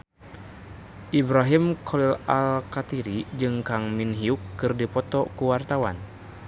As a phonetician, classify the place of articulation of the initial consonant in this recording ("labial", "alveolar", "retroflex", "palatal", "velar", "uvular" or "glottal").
glottal